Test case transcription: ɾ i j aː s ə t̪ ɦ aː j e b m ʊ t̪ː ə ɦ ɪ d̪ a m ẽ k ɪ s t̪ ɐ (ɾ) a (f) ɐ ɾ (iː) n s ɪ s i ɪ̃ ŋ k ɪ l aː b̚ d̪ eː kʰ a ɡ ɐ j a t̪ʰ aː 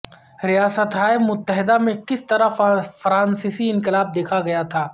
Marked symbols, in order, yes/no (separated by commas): yes, yes, no